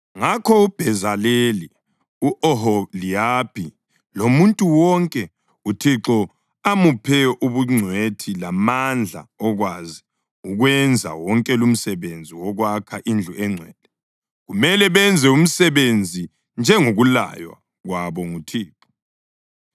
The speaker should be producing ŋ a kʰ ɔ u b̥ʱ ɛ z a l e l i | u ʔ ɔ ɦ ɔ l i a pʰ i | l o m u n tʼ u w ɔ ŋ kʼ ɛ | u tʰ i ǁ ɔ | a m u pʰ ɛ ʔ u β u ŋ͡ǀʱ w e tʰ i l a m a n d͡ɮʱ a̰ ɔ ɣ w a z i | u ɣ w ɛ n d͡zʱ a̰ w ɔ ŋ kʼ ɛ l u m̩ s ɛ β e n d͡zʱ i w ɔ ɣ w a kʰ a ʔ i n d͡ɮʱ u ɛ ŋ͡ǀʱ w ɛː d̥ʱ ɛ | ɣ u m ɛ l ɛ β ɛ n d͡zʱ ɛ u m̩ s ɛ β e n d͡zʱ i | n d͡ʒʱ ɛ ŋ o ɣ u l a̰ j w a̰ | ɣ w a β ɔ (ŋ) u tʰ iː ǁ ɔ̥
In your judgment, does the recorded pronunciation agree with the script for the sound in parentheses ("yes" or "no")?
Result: yes